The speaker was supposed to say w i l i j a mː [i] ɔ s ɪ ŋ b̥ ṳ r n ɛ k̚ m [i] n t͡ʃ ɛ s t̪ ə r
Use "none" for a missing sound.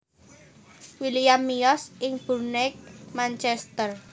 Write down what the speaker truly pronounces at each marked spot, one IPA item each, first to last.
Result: i, a

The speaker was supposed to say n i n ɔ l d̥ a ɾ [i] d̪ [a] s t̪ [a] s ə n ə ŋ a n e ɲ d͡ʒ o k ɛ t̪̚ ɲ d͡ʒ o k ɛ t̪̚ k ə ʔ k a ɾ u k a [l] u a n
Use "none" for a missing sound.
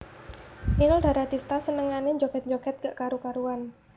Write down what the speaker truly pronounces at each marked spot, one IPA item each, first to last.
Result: a, i, a, ɾ

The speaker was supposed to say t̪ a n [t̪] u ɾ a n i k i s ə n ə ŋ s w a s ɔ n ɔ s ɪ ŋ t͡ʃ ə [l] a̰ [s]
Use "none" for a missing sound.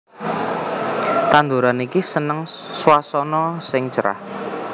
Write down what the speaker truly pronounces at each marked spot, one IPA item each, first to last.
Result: d̪, ɾ, h

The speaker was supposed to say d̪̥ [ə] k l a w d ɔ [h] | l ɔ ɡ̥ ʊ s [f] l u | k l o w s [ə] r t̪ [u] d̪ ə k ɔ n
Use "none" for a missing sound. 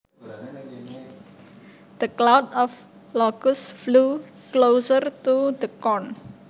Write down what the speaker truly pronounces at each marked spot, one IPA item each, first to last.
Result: ə, f, f, ə, u

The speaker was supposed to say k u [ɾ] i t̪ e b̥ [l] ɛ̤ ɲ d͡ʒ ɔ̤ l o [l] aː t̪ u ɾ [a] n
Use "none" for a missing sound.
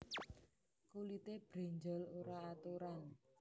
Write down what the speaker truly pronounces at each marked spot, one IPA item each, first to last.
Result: l, ɾ, ɾ, a

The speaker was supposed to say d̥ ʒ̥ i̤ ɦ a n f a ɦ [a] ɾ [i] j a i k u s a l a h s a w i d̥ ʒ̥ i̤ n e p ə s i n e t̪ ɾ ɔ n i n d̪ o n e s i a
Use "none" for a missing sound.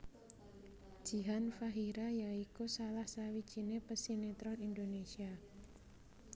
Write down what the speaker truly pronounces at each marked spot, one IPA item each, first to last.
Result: i, a

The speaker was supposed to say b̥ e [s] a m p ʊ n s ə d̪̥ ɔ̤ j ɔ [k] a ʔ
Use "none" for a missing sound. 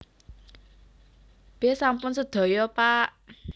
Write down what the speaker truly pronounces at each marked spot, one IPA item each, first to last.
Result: s, p

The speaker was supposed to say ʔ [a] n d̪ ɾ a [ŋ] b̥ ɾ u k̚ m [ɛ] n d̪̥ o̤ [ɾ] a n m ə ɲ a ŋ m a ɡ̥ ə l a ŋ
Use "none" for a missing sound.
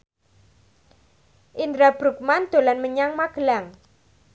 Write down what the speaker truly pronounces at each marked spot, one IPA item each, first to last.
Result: i, none, a, l

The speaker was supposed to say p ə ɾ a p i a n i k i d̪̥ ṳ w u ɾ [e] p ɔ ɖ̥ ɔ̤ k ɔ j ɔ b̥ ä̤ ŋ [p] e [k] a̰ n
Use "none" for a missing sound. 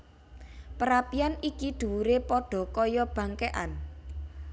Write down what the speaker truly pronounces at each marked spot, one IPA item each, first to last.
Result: e, k, ʔ

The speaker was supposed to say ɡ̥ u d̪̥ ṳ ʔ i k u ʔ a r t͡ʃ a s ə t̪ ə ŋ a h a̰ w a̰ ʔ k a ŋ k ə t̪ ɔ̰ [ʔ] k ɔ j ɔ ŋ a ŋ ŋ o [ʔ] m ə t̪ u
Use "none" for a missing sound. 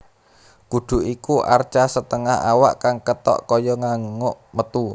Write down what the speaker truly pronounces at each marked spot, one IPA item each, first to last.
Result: ʔ, ʔ

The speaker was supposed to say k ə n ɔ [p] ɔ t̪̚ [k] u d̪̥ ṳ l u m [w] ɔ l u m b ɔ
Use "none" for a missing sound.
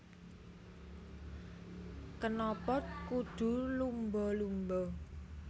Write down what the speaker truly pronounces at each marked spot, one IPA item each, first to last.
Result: p, k, b

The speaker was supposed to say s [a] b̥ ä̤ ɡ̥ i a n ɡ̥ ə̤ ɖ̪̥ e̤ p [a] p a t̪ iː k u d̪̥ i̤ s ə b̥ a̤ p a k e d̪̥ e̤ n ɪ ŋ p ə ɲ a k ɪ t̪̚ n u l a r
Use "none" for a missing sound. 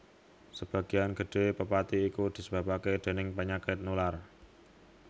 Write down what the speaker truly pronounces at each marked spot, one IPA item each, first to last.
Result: ə, ə

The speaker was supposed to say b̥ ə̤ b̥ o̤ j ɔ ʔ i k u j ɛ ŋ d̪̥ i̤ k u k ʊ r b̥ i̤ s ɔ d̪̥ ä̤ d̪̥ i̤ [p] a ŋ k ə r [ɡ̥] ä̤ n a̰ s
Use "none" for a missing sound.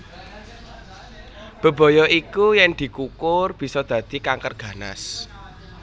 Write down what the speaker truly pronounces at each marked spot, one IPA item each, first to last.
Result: k, ɡ̥

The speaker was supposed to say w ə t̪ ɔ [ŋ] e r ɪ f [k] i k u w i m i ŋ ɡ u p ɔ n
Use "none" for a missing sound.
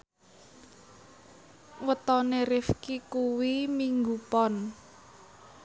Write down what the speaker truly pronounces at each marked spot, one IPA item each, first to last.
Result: n, k

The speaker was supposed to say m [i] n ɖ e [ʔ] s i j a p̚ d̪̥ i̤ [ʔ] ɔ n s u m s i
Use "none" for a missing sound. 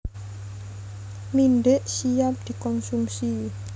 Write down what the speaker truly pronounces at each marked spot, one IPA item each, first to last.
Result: i, ʔ, k

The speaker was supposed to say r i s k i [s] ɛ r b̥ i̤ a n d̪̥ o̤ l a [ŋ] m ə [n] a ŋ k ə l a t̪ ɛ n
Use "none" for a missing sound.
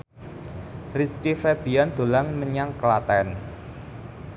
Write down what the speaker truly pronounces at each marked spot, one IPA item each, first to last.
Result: f, ŋ, ɲ

